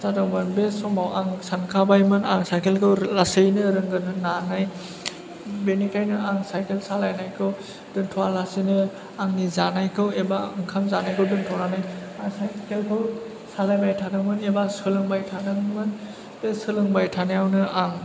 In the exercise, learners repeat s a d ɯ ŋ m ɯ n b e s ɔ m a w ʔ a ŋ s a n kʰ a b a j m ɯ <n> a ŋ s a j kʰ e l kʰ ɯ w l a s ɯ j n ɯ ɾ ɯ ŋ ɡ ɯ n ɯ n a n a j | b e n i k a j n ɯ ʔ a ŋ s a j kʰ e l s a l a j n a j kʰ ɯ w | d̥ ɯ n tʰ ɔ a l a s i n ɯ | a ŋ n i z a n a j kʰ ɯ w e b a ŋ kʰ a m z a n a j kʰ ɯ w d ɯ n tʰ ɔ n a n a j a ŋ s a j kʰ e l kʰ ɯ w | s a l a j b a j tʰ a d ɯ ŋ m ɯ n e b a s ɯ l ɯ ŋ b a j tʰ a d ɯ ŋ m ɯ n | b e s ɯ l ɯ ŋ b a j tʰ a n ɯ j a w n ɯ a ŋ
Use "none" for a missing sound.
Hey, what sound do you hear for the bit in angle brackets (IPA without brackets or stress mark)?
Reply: n